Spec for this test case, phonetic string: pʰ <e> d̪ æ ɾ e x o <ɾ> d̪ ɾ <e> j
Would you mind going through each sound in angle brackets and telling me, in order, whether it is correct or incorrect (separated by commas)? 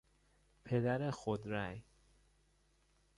correct, incorrect, incorrect